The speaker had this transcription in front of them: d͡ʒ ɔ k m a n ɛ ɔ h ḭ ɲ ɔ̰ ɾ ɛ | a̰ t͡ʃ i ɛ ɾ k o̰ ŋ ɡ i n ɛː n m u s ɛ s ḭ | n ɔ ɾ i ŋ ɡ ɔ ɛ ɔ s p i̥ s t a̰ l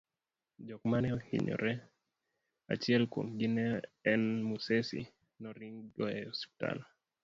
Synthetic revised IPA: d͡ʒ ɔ k m a n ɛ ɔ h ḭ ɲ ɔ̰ ɾ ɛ | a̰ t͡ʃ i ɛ l k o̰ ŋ ɡ i n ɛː n m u s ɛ s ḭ | n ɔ ɾ i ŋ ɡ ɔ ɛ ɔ s p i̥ t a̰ l